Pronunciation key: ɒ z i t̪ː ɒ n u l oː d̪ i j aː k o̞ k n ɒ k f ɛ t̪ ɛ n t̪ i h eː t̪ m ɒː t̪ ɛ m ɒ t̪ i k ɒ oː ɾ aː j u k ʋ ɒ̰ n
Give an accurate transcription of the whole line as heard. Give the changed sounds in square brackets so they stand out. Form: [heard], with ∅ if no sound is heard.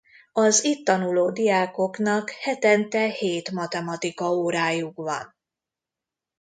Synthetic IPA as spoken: ɒ z i t̪ː ɒ n u l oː d̪ i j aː k o̞ k n ɒ k [h] ɛ t̪ ɛ n t̪ [ɛ] h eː t̪ m [ɒ] t̪ ɛ m ɒ t̪ i k ɒ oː ɾ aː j u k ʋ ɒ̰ n